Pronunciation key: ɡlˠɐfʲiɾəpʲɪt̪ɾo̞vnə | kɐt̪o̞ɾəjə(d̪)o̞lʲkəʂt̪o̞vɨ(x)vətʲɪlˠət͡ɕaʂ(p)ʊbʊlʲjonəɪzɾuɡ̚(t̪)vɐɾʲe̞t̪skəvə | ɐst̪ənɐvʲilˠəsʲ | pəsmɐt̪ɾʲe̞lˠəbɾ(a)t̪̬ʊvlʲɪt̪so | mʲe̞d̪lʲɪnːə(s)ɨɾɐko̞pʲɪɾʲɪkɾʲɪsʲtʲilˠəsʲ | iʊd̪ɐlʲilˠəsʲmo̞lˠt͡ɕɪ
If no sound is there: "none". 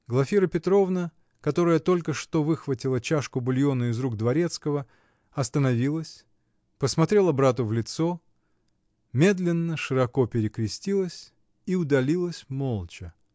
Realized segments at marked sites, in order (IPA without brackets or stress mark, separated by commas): t̪, x, k, d̪, a, ʂ